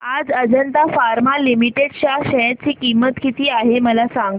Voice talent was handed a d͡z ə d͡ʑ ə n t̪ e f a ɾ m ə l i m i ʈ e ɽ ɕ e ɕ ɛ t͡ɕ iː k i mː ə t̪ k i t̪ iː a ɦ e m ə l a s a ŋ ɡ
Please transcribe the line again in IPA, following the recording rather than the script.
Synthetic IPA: a d͡z ə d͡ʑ ə n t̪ a f a ɾ m a l i m i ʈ e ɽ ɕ a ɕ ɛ t͡ɕ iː k i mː ə t̪ k i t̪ iː a ɦ e m ə l a s a ŋ ɡ